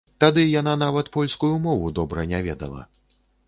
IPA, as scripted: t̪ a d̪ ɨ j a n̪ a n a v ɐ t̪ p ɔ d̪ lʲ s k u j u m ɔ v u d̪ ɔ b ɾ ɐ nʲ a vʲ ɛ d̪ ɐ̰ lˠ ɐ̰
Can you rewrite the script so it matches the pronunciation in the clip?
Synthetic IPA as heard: t̪ a d̪ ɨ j a n̪ a n a v ɐ t̪ p ɔ lʲ s k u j u m ɔ v u d̪ ɔ b ɾ ɐ nʲ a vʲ ɛ d̪ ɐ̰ lˠ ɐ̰

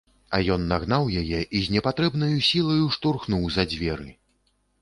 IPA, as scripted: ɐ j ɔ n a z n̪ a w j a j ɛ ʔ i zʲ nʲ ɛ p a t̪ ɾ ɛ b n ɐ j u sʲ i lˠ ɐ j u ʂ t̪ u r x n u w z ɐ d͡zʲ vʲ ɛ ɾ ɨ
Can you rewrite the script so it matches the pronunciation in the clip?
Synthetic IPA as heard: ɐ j ɔ nː a ɣ n̪ a w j a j ɛ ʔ i zʲ nʲ ɛ p a t̪ ɾ ɛ b n ɐ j u sʲ i lˠ ɐ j u ʂ t̪ u r x n u w z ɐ d͡zʲ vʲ ɛ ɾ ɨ

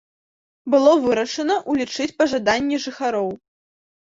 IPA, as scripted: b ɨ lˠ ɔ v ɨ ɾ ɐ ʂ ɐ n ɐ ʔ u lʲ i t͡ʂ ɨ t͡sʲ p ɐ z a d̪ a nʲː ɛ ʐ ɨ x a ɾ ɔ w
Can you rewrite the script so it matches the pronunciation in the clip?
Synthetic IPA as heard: b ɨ lˠ ɔ v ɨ ɾ ɐ ʂ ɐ n ɐ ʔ u lʲ i t͡ʂ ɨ t͡sʲ p ɐ ʐ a d̪ a nʲː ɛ ʐ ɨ x a ɾ ɔ w

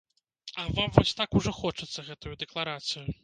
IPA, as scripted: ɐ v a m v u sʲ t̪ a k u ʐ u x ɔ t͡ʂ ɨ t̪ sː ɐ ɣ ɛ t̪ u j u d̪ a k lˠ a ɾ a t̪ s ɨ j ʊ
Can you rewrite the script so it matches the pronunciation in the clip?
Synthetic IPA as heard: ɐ v a m v ɔ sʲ t̪ a k u ʐ ɔ x ɔ t͡ʂ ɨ t̪ sː ɐ ɣ ɛ t̪ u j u d̪ ɛ k lˠ a ɾ a t̪ s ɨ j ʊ

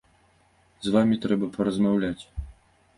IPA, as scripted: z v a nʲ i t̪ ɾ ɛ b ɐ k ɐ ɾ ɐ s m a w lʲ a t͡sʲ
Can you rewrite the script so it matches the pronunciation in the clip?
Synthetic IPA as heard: z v a mʲ i t̪ ɾ ɛ b ɐ p ɐ ɾ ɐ z m a w lʲ a t͡sʲ

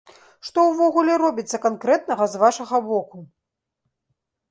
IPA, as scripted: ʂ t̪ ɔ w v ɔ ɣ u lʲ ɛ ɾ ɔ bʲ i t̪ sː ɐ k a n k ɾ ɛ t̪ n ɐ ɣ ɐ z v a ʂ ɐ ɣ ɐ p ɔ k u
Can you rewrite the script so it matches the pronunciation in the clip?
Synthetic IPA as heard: ʂ t̪ ɔ w v ɔ ɣ u lʲ ɛ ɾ ɔ bʲ i t̪ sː ɐ k a n k ɾ ɛ t̪ n ɐ ɣ ɐ z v a ʂ ɐ ɣ ɐ b ɔ k u

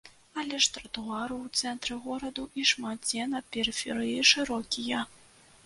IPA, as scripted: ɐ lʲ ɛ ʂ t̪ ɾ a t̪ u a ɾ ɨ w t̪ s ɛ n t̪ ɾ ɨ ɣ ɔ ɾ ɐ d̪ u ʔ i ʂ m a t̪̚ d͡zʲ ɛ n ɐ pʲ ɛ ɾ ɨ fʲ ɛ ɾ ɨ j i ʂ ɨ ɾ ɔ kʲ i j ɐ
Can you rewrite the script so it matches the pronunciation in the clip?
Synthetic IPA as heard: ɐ lʲ ɛ ʂ t̪ ɾ ɐ t̪ u a ɾ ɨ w t̪ s ɛ n t̪ ɾ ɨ ɣ ɔ ɾ ɐ d̪ u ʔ i ʂ m a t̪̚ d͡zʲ ɛ n ɐ pʲ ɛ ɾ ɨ fʲ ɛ ɾ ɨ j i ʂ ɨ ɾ ɔ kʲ i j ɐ

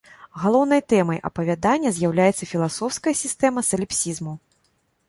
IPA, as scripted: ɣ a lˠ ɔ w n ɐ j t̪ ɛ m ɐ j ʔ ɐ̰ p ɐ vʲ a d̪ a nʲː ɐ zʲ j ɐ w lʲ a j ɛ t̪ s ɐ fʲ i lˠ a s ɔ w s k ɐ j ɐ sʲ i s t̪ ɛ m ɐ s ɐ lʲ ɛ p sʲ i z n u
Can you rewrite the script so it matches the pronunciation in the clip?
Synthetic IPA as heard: ɣ a lˠ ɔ w n ɐ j t̪ ɛ m ɐ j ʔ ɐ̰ p ɐ vʲ a d̪ a nʲː ɐ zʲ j a w lʲ a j ɛ t̪ s ɐ fʲ i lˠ a s ɔ w s k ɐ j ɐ sʲ i s t̪ ɛ m ɐ s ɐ lʲ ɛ p sʲ i z m u

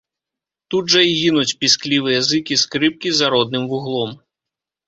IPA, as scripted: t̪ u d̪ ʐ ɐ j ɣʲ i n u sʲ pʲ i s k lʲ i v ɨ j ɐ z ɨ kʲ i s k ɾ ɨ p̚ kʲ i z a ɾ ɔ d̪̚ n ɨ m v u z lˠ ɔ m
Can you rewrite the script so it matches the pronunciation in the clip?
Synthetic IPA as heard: t̪ u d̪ ʐ ɐ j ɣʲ i n u t͡sʲ pʲ i s k lʲ i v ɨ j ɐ z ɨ kʲ i s k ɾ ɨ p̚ kʲ i z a ɾ ɔ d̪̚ n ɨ m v u ɣ lˠ ɔ m

